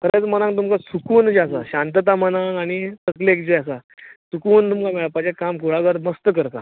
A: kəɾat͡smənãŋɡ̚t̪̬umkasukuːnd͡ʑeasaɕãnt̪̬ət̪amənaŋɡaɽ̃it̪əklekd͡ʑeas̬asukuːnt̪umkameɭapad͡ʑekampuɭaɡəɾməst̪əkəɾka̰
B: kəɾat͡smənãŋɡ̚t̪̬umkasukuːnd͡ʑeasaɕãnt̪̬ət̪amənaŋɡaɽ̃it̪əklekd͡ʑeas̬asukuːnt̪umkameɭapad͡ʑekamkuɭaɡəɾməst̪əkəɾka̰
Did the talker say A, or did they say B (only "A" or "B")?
B